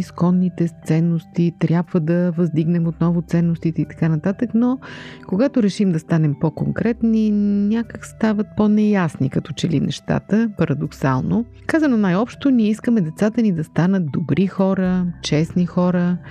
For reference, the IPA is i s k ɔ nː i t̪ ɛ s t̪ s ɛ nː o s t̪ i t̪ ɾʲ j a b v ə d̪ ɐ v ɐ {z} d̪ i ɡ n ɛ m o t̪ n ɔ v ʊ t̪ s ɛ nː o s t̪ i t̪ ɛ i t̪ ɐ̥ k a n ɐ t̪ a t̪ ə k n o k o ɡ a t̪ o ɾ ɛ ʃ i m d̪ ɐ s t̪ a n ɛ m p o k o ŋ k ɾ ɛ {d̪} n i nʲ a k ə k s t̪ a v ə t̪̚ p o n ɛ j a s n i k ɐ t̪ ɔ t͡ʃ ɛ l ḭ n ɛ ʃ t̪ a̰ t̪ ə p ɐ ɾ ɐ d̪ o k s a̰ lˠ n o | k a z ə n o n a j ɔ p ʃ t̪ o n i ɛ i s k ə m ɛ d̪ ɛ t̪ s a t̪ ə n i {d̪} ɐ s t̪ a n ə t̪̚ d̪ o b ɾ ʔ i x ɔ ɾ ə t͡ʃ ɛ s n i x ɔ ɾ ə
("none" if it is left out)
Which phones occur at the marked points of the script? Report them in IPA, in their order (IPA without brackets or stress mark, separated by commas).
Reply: z, t̪, d̪